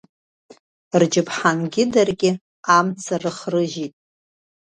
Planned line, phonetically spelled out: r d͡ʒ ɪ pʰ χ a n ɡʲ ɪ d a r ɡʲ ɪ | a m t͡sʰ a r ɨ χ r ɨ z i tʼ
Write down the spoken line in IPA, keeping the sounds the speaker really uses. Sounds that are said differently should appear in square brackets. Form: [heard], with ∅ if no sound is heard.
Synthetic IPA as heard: r d͡ʒ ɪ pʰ [ħ] a n ɡʲ ɪ d a r ɡʲ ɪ | a m t͡sʰ a r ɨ χ r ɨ [ʒ] i tʼ